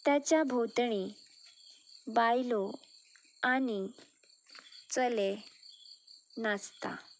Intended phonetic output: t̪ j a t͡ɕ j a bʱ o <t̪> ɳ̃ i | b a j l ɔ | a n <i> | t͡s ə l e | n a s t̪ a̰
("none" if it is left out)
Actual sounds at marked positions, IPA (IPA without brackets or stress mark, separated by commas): t̪, i